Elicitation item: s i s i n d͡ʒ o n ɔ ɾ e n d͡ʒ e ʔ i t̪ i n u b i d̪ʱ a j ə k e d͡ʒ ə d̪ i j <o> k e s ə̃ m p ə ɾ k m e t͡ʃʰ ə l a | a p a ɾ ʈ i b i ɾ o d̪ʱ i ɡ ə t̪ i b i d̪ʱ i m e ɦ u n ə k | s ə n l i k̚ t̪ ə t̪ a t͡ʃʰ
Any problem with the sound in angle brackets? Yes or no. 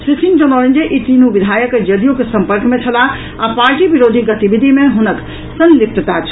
no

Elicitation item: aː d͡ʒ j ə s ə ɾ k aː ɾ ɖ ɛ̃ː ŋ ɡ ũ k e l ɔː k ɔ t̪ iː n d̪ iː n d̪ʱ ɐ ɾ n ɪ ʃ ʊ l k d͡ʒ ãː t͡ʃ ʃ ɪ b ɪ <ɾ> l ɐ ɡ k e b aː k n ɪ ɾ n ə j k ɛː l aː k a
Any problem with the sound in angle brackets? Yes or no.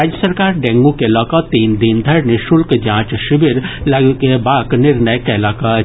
no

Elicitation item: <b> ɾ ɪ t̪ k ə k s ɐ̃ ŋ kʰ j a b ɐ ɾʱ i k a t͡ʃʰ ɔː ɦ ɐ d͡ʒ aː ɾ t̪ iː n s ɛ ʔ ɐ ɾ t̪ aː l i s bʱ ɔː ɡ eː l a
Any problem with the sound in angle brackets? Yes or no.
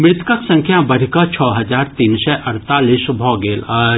yes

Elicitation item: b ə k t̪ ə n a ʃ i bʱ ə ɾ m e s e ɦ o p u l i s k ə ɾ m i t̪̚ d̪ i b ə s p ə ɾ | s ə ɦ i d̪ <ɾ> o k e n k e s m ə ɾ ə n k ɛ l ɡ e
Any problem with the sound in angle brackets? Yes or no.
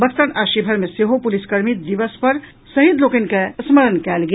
yes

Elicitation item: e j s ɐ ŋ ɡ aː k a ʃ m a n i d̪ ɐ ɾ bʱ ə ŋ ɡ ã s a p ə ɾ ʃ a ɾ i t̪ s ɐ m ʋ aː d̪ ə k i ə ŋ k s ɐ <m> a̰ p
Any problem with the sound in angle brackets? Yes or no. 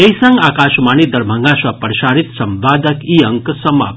no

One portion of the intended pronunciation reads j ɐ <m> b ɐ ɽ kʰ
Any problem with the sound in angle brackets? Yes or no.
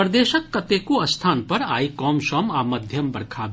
no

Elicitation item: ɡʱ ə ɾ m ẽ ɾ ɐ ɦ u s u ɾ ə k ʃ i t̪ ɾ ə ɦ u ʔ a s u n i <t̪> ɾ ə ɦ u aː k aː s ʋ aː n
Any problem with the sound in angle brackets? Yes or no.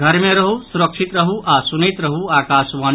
no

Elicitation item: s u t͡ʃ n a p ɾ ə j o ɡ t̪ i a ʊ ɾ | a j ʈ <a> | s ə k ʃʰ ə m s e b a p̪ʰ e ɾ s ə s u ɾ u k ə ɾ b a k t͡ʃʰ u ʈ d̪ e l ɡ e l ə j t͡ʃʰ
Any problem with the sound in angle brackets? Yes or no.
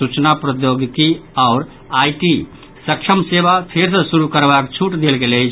yes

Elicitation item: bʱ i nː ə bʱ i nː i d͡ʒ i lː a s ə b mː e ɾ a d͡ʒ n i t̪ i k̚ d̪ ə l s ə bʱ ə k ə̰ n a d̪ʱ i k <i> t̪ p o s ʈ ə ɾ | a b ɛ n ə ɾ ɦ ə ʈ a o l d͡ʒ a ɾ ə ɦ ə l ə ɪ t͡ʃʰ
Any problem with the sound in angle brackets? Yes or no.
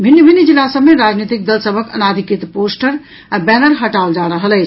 no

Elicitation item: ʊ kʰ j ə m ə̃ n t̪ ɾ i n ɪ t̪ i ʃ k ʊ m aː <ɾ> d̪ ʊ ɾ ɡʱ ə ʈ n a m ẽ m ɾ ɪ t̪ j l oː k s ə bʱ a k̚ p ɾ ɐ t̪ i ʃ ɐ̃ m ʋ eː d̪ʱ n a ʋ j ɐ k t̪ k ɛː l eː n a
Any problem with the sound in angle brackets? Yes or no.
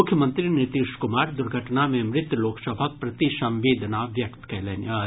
no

